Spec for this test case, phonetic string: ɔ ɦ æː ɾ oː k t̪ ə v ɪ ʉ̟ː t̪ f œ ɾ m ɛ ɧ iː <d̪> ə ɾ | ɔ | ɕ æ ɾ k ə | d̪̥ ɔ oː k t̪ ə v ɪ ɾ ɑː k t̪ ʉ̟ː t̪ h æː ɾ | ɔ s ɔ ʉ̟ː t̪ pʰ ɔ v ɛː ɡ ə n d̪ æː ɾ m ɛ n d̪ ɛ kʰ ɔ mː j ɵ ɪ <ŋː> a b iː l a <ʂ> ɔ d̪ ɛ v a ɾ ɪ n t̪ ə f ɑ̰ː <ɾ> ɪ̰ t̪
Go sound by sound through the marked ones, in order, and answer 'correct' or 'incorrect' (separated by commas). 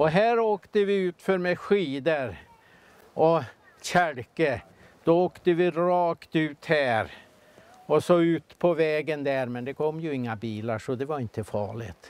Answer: correct, correct, correct, incorrect